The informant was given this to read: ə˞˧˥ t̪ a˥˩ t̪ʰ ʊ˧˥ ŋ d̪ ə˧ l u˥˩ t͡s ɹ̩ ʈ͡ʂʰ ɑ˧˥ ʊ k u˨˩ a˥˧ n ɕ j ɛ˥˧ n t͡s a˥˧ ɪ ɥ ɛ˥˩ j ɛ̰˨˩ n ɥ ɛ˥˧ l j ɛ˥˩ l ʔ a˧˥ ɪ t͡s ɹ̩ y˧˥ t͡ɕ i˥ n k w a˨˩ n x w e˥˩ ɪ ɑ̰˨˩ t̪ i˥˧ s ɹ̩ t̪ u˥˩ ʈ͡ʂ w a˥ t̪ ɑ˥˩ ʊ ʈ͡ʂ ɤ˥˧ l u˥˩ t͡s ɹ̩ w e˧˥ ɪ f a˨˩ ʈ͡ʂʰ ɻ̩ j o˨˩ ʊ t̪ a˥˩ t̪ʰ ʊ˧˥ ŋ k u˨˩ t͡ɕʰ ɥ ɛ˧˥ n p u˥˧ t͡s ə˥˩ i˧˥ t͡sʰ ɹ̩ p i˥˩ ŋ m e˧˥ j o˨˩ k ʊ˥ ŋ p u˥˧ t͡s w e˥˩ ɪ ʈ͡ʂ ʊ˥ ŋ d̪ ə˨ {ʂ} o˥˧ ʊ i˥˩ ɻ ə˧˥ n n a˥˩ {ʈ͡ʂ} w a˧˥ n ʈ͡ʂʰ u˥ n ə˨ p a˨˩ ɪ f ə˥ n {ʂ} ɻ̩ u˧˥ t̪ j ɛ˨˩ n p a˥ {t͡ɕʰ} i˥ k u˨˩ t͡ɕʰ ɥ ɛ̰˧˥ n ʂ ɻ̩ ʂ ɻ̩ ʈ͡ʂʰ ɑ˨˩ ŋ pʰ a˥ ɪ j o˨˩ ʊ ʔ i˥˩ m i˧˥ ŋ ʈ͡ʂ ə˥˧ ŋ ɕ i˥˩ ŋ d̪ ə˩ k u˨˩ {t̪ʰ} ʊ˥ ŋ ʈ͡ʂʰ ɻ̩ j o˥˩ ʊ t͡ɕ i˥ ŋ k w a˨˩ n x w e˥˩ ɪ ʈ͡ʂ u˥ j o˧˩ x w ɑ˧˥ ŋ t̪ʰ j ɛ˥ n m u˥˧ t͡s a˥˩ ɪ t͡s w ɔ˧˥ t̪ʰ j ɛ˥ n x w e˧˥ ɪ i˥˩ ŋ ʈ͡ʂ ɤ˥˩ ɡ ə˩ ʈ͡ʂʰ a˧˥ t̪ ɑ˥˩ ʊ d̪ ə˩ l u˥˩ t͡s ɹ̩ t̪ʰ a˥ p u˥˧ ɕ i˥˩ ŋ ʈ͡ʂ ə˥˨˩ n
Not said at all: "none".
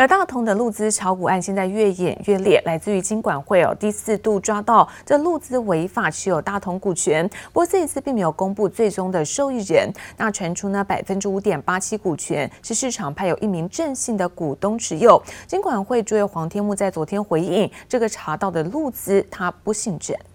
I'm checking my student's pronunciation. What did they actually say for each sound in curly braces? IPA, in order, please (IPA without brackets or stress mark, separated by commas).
ʂ, ʈ͡ʂʰ, ʈ͡ʂ, t͡ɕʰ, t̪